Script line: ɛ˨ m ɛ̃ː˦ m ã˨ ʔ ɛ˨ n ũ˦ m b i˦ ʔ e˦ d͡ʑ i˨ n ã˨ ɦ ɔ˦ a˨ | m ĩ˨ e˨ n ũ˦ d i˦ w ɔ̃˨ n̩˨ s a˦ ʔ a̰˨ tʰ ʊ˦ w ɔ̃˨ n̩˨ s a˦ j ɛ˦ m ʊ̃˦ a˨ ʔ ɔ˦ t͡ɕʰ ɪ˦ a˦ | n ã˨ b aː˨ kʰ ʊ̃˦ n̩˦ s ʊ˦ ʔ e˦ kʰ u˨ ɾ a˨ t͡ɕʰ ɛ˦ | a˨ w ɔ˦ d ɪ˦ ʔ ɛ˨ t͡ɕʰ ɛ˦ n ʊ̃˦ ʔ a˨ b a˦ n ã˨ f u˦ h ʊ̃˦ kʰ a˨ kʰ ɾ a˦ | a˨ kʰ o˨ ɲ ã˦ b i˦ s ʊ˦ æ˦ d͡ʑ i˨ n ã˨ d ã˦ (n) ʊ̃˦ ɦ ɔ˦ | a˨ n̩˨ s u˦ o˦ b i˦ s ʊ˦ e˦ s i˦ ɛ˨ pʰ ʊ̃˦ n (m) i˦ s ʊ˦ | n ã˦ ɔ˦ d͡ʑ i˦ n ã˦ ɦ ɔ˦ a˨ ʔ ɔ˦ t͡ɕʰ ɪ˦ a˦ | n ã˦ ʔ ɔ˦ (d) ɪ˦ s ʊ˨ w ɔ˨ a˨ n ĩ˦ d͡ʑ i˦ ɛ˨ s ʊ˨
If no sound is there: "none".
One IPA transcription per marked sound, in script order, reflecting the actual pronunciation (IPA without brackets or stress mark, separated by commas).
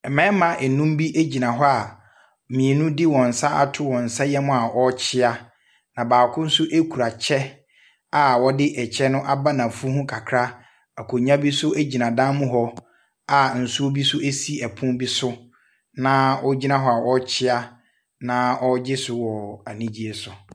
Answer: m, b, d͡ʑ